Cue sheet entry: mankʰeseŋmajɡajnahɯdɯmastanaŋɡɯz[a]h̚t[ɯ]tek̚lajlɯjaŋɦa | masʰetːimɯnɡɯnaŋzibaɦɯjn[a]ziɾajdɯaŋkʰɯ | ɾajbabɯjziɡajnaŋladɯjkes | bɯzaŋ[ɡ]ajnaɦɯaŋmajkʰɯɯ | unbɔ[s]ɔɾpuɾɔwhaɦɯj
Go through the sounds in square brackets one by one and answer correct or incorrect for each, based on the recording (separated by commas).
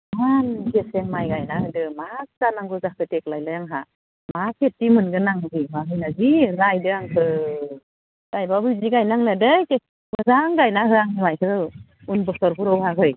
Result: correct, correct, correct, correct, correct